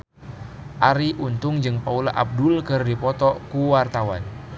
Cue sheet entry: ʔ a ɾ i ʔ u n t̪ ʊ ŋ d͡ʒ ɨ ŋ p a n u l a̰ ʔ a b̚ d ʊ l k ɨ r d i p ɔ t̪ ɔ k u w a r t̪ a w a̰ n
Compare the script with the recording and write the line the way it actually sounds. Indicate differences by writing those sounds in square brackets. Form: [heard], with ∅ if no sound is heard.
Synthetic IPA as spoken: ʔ a ɾ i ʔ u n t̪ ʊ ŋ d͡ʒ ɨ ŋ p a [∅] u l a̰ ʔ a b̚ d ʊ l k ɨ r d i p ɔ t̪ ɔ k u w a r t̪ a w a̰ n

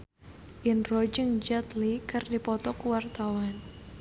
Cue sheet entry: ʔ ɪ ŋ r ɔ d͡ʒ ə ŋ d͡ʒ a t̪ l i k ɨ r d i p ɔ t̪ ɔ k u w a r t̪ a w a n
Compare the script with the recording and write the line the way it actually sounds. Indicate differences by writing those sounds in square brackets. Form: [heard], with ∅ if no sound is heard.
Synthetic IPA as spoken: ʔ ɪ [n] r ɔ d͡ʒ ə ŋ d͡ʒ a t̪ l i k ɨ r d i p ɔ t̪ ɔ k u w a r t̪ a w a n

